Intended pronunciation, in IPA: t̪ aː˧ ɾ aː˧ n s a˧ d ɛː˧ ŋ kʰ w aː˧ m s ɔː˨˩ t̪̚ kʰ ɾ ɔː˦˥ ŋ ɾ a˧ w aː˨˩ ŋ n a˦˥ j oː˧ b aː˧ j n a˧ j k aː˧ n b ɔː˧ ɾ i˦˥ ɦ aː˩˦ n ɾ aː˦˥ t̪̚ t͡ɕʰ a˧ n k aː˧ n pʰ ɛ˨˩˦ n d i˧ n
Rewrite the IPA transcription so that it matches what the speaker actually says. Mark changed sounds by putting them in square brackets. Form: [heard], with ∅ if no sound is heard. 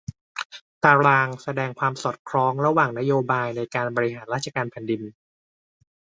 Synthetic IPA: t̪ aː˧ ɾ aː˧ [ŋ] s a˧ d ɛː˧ ŋ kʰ w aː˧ m s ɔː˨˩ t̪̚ kʰ ɾ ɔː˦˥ ŋ ɾ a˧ w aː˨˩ ŋ n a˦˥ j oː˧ b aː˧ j n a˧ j k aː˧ n b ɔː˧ ɾ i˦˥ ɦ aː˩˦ n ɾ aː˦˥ t̪̚ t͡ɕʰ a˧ [∅] k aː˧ n pʰ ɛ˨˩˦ n d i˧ n